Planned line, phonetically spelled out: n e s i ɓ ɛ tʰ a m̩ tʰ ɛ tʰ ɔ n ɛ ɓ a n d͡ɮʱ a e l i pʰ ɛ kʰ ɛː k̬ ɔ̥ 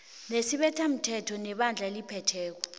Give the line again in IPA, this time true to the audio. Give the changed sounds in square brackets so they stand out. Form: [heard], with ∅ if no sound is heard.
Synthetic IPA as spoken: n e s i ɓ ɛ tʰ a m̩ tʰ ɛ tʰ ɔ n ɛ ɓ a n d͡ɮʱ a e l i pʰ ɛ [tʰ] ɛː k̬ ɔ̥